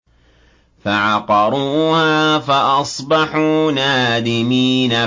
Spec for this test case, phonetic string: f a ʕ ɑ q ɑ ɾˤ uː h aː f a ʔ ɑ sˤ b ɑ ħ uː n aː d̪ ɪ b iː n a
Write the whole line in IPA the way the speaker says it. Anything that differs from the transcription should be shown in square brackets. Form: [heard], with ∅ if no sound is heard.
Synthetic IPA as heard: f a ʕ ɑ q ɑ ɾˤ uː h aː f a ʔ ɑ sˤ b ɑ ħ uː n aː d̪ ɪ [m] iː n a